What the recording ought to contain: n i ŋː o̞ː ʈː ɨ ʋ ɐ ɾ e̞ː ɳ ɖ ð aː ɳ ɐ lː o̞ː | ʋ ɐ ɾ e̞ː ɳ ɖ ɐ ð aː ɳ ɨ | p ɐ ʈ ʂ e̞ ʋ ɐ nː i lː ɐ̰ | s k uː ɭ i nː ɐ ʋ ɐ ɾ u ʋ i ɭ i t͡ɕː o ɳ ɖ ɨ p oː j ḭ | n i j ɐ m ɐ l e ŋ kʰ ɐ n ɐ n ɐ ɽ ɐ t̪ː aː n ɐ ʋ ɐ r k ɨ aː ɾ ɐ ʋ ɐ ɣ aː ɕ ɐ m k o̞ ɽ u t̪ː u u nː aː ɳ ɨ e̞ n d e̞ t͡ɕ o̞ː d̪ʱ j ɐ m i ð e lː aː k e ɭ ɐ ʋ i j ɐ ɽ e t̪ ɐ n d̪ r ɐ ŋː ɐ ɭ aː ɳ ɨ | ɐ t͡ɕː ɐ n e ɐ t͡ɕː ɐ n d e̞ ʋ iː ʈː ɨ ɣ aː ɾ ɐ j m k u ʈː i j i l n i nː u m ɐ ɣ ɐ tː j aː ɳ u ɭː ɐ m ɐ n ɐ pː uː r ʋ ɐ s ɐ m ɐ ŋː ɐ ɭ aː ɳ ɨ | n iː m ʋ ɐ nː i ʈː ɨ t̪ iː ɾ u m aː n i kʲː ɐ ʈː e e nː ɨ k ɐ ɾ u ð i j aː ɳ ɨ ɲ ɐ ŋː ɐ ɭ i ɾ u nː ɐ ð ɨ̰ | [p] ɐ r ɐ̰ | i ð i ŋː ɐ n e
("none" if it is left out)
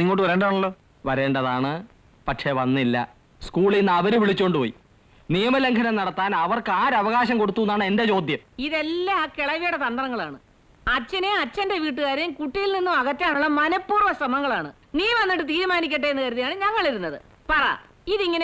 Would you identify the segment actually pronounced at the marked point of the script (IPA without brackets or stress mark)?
p